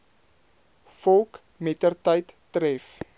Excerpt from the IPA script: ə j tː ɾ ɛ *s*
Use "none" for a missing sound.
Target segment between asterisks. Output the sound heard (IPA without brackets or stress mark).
f